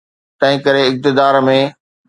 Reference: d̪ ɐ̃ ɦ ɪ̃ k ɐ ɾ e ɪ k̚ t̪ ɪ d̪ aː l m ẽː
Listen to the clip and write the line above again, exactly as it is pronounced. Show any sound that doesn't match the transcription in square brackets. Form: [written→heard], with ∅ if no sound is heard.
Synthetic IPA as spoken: [d̪→t̪] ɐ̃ ɦ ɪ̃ k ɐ ɾ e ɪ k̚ t̪ ɪ d̪ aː [l→ɾ] m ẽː